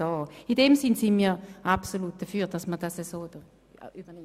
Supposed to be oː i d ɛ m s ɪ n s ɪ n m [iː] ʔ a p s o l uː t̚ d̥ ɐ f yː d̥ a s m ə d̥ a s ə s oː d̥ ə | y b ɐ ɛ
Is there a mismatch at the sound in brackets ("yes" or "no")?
no